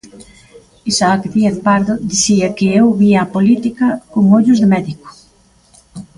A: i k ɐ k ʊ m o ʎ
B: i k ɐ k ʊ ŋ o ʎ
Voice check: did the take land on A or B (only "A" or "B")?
B